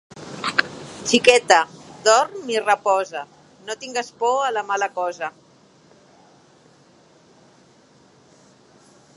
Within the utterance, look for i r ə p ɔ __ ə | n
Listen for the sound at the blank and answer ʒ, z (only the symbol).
z